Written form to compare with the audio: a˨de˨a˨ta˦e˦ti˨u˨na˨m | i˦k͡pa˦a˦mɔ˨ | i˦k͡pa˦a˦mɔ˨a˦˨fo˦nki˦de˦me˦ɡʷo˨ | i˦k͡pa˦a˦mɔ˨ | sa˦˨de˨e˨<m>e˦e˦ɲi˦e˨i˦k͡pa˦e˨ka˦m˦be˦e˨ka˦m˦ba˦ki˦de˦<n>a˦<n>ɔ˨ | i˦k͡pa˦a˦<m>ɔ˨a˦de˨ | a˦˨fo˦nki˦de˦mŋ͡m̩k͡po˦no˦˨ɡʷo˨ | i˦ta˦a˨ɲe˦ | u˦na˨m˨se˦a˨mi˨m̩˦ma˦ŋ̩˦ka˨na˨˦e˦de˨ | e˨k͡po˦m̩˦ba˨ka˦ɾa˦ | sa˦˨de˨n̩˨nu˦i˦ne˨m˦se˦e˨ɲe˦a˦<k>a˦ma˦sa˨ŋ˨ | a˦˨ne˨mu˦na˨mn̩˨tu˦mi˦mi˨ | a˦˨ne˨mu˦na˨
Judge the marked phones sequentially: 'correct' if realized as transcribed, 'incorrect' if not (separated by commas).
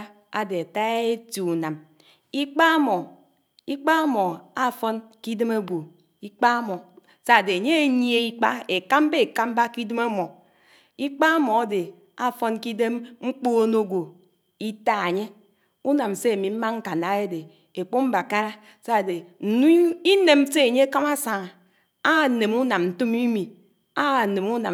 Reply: incorrect, incorrect, incorrect, correct, correct